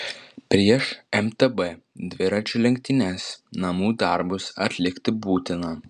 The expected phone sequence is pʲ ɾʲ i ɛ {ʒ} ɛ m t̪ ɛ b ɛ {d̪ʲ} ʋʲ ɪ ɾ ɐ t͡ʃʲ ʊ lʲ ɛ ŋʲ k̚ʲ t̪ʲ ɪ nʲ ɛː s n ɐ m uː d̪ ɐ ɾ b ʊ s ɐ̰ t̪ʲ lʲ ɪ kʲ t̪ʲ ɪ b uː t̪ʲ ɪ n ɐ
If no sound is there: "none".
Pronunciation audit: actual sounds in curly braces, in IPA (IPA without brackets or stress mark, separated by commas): ʃ, d̪ʲ